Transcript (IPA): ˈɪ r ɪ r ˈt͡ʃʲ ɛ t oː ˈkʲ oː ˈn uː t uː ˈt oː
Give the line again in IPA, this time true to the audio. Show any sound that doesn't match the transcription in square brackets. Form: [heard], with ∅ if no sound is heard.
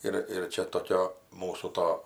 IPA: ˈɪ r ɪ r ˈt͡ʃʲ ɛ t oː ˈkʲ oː [ˈm] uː [s] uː ˈt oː

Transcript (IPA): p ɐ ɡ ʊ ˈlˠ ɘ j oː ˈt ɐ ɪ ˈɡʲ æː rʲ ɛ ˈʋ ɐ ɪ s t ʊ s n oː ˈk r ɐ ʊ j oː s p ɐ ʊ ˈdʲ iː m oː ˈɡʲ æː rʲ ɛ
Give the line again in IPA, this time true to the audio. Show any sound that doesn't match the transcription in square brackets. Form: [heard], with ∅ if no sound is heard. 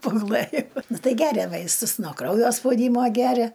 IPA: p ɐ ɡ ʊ ˈlˠ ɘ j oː ˈt ɐ ɪ ˈɡʲ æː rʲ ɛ ˈʋ ɐ ɪ s t ʊ s n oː ˈk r ɐ ʊ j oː s p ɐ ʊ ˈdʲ iː m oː ˈɡʲ æː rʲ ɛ

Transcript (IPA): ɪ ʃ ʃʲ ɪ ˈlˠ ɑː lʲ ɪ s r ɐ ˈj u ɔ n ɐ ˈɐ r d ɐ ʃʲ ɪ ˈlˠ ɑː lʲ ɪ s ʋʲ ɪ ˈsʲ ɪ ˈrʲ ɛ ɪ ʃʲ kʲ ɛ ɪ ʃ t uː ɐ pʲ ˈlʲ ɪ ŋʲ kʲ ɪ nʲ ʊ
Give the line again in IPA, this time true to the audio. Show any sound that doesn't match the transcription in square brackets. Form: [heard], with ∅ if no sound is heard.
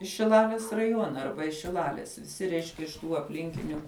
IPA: ɪ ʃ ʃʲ ɪ ˈlˠ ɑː lʲ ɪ s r ɐ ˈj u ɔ n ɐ ˈɐ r [b] ɐ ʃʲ ɪ ˈlˠ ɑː lʲ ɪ s ʋʲ ɪ ˈsʲ ɪ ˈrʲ ɛ ɪ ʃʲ kʲ ɛ ɪ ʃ t uː ɐ pʲ ˈlʲ ɪ ŋʲ kʲ ɪ nʲ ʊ

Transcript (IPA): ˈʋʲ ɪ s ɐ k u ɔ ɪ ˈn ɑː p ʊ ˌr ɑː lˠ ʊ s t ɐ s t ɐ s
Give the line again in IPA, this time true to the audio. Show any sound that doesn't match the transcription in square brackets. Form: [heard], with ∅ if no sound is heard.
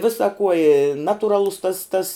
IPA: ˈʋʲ ɪ s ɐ k u ɔ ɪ ˈn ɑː [t] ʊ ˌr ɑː lˠ ʊ s t ɐ s t ɐ s

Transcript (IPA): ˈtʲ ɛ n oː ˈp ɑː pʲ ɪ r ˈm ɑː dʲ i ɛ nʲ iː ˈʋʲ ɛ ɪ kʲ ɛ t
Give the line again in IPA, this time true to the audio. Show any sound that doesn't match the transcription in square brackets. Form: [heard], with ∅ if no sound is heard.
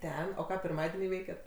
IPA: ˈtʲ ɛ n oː [ˈk] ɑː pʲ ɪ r ˈm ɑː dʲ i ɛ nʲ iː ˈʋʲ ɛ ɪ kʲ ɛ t

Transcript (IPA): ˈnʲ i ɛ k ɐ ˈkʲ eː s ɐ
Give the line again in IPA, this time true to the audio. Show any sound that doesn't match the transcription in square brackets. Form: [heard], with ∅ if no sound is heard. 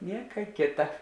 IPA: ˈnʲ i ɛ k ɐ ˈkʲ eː [t] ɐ

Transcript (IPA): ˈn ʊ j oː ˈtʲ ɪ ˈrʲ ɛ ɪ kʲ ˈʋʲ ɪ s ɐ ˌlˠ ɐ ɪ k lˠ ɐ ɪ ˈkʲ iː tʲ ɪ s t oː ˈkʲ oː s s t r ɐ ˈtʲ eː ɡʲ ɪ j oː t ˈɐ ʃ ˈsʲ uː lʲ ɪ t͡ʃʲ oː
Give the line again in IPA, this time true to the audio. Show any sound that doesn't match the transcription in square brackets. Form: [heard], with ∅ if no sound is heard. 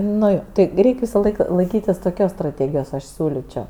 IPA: ˈn ʊ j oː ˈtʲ ɪ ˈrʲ ɛ ɪ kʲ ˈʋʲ ɪ s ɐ ˌlˠ ɐ ɪ k lˠ ɐ ɪ ˈkʲ iː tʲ ɪ s t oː ˈkʲ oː s s t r ɐ ˈtʲ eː ɡʲ ɪ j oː [s] ˈɐ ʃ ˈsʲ uː lʲ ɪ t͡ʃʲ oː

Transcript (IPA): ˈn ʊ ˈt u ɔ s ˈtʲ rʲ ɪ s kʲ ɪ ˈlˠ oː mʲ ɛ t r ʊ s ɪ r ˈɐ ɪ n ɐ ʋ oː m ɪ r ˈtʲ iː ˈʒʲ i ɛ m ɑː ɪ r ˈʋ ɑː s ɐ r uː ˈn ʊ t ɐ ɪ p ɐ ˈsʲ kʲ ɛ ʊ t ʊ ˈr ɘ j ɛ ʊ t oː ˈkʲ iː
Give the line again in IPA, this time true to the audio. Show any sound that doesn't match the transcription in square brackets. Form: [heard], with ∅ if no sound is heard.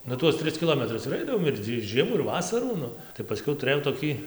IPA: ˈn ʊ ˈt u ɔ s ˈtʲ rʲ ɪ s kʲ ɪ ˈlˠ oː mʲ ɛ t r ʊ s ɪ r ˈɐ ɪ [d] ɐ ʋ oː m ɪ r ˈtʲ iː ˈʒʲ i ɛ m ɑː ɪ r ˈʋ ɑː s ɐ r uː ˈn ʊ t ɐ ɪ p ɐ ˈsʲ kʲ ɛ ʊ t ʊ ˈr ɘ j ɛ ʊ t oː ˈkʲ iː

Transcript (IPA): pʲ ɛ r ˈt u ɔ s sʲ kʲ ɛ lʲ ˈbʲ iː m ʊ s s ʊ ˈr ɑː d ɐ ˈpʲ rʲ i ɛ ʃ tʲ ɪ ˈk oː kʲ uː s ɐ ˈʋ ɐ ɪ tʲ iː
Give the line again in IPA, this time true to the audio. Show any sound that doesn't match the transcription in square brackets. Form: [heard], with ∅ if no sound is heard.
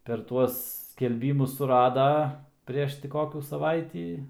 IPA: pʲ ɛ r ˈt u ɔ s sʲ kʲ ɛ lʲ ˈbʲ iː m ʊ s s ʊ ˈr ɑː d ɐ ˈpʲ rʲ i ɛ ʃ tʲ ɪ ˈk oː kʲ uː s ɐ ˈʋ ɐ ɪ tʲ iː

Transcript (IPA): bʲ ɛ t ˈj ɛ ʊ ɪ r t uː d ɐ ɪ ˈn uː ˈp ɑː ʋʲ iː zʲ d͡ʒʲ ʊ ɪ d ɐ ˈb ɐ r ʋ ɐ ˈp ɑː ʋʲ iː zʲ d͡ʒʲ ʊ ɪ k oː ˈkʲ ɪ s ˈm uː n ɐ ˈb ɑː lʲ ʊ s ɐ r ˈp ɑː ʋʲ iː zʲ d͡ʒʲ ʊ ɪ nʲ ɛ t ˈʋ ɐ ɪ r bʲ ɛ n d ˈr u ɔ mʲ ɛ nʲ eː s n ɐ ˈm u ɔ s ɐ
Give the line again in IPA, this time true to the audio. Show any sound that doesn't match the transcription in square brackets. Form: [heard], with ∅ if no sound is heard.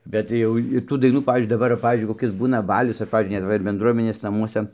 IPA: bʲ ɛ t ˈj ɛ ʊ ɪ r t uː d ɐ ɪ ˈn uː ˈp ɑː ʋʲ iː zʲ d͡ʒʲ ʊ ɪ d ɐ ˈb ɐ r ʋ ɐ ˈp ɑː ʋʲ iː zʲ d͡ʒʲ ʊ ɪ k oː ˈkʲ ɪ s [ˈb] uː n ɐ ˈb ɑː lʲ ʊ s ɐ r ˈp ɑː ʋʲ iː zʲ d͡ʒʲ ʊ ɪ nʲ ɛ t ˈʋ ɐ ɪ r bʲ ɛ n d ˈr u ɔ mʲ ɛ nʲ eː s n ɐ ˈm u ɔ s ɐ

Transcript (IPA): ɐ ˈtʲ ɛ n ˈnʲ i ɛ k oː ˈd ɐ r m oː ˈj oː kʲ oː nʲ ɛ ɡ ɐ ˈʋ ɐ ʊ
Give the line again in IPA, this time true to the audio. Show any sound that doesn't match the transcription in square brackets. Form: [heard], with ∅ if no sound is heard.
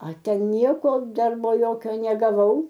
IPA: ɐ ˈtʲ ɛ n ˈnʲ i ɛ k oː ˈd ɐ r [b] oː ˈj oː kʲ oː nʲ ɛ ɡ ɐ ˈʋ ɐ ʊ

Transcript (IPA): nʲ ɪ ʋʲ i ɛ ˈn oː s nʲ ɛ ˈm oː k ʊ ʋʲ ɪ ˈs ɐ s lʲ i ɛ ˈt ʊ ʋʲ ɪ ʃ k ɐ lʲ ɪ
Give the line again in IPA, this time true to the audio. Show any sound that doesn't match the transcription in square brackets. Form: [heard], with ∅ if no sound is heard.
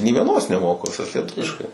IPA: nʲ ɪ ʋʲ i ɛ ˈn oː s nʲ ɛ ˈm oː k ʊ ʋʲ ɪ ˈs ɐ s lʲ i ɛ ˈt ʊ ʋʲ ɪ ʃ k ɐ [∅] ɪ

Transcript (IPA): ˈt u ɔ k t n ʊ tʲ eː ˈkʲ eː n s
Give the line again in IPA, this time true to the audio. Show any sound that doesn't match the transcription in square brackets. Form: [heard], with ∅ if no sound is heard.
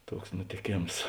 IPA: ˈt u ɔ k [s] n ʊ tʲ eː ˈkʲ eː [m] s

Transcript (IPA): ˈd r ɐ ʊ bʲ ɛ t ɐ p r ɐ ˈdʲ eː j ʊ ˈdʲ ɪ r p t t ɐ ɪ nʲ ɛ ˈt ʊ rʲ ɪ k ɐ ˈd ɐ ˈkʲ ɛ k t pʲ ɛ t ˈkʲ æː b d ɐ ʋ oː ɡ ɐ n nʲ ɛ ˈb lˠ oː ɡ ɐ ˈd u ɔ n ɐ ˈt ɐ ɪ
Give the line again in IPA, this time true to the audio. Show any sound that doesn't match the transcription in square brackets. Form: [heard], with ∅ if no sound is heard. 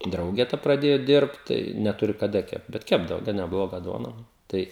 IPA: ˈd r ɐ ʊ [ɡʲ] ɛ t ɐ p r ɐ ˈdʲ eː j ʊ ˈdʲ ɪ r p t t ɐ ɪ nʲ ɛ ˈt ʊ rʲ ɪ k ɐ ˈd ɐ ˈkʲ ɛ [p] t [bʲ] ɛ t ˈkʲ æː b d ɐ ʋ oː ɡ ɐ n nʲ ɛ ˈb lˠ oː ɡ ɐ ˈd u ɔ n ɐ ˈt ɐ ɪ

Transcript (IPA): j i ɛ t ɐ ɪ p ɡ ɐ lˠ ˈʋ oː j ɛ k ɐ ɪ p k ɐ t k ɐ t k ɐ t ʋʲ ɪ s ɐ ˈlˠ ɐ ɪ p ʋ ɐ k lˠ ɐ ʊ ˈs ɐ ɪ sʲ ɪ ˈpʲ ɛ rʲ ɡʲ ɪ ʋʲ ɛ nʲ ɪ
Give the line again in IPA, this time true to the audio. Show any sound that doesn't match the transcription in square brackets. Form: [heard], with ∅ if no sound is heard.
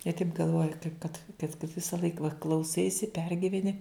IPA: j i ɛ t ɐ ɪ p ɡ ɐ lˠ ˈʋ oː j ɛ k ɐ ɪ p k ɐ t k ɐ t k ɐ t ʋʲ ɪ s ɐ ˈlˠ ɐ ɪ [k] ʋ ɐ k lˠ ɐ ʊ ˈs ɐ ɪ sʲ ɪ ˈpʲ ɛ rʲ ɡʲ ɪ ʋʲ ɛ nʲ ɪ

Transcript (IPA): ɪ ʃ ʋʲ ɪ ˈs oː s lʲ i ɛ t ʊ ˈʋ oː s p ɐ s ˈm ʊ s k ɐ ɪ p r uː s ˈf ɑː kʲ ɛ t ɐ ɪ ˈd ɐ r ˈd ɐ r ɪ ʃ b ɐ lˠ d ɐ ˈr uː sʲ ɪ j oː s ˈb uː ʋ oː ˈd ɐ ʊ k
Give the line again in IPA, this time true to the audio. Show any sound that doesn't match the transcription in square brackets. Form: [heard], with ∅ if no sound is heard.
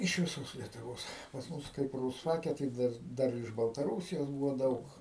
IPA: ɪ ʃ ʋʲ ɪ ˈs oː s lʲ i ɛ t ʊ ˈʋ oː s p ɐ s ˈm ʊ s k ɐ ɪ p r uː s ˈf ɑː kʲ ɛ t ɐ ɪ ˈd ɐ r ˈd ɐ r ɪ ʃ b ɐ lˠ [t] ɐ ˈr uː sʲ ɪ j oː s ˈb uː ʋ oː ˈd ɐ ʊ k

